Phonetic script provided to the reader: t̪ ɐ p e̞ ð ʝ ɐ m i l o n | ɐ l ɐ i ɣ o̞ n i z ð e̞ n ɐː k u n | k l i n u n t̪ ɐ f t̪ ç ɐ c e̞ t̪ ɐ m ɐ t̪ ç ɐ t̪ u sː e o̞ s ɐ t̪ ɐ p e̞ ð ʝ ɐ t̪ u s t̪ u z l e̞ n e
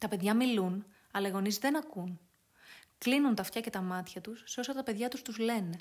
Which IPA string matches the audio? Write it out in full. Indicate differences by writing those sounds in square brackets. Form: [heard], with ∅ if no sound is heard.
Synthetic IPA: t̪ ɐ p e̞ ð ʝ ɐ m i l [u] n | ɐ l ɐ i ɣ o̞ n i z ð e̞ n [ɐ] k u n | k l i n u n t̪ ɐ f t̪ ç ɐ c e̞ t̪ ɐ m ɐ t̪ ç ɐ t̪ u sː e o̞ s ɐ t̪ ɐ p e̞ ð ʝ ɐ t̪ u s t̪ u z l e̞ n e